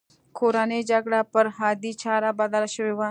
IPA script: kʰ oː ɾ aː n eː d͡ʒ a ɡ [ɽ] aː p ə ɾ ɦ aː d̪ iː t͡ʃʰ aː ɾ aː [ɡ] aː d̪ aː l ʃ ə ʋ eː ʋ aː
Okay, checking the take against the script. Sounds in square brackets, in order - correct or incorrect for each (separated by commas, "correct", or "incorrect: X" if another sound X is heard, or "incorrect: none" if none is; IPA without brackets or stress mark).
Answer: correct, incorrect: b